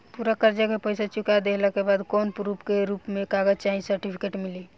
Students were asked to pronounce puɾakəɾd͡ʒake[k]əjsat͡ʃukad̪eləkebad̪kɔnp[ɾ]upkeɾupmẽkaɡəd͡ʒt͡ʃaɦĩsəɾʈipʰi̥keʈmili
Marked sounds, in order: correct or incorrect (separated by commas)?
incorrect, correct